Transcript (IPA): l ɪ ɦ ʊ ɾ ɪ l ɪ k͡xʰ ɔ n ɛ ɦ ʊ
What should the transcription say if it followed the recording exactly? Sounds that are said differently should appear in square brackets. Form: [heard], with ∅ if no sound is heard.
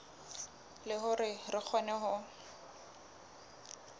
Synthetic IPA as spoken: l ɪ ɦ ʊ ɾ ɪ [r] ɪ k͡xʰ ɔ n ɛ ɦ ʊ